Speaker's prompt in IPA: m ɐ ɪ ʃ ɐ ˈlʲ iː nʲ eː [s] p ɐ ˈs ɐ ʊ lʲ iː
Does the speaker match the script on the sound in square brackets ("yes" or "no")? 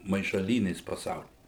yes